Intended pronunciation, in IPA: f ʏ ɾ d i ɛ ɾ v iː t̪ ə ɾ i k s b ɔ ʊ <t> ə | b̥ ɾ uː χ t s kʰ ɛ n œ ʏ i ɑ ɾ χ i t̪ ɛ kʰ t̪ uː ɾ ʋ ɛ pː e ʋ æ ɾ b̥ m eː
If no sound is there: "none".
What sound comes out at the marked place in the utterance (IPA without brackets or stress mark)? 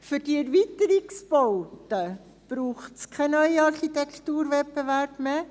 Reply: t